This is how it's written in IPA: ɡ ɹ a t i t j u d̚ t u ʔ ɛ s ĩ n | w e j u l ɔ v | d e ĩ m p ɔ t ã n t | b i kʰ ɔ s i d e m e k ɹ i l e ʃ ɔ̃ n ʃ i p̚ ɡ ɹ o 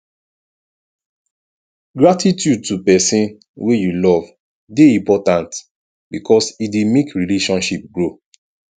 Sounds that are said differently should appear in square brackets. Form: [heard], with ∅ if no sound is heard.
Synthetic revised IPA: ɡ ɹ a t i t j u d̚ t u [p] ɛ s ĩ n | w e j u l ɔ v | d e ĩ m p ɔ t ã n t | b i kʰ ɔ s i d e m e k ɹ i l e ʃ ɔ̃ n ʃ i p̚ ɡ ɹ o